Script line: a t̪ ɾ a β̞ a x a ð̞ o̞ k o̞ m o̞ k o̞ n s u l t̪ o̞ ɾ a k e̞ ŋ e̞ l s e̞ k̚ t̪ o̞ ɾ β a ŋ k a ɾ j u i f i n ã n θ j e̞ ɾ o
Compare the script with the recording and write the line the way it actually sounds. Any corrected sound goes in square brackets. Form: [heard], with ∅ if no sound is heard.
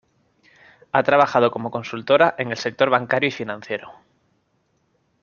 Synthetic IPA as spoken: a t̪ ɾ a β̞ a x a ð̞ o̞ k o̞ m o̞ k o̞ n s u l t̪ o̞ ɾ a [ʔ] e̞ ŋ e̞ l s e̞ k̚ t̪ o̞ ɾ β a ŋ k a ɾ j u i f i n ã n θ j e̞ ɾ o